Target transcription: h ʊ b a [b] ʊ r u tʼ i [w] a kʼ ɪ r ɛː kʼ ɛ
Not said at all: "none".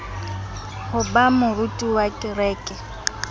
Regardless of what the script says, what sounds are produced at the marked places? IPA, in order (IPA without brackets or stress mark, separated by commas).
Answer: m, w